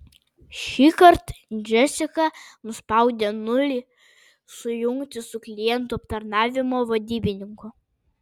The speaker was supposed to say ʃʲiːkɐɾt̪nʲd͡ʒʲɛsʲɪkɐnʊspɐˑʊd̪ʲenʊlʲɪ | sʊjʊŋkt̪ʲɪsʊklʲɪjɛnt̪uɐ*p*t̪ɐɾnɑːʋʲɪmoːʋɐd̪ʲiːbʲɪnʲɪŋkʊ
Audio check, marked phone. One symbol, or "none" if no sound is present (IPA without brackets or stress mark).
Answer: p